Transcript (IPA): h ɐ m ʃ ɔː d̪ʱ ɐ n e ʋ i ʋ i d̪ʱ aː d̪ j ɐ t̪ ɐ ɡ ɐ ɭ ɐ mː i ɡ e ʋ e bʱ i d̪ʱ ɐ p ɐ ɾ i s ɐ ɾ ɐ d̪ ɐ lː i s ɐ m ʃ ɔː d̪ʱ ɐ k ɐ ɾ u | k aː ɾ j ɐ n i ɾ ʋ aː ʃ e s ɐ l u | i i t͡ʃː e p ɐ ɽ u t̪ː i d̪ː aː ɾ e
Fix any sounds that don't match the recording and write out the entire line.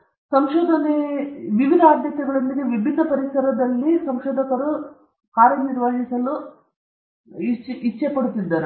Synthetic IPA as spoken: s ɐ m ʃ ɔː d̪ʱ ɐ n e ʋ i ʋ i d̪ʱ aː d̪ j ɐ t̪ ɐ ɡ ɐ ɭ ɐ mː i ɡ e ʋ i bʱ i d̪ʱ ɐ p ɐ ɾ i s ɐ ɾ ɐ d̪ ɐ lː i s ɐ m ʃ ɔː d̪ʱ ɐ k ɐ ɾ u | k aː ɾ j ɐ n i ɾ ʋ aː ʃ i s ɐ l u | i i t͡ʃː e p ɐ ɽ u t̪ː i d̪ː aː ɾ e